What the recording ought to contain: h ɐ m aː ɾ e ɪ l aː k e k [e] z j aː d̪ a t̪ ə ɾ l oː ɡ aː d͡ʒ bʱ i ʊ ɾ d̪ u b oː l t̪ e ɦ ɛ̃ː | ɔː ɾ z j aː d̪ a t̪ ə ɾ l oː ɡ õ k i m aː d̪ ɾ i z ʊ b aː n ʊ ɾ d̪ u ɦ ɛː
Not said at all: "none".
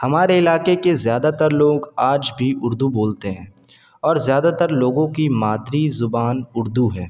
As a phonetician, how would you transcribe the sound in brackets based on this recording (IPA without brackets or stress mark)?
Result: e